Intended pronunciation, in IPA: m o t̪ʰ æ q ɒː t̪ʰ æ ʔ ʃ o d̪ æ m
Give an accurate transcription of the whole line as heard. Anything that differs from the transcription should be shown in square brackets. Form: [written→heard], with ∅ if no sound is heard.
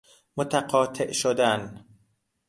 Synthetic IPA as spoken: m o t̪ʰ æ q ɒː t̪ʰ [æ→e] ʔ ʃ o d̪ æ [m→n]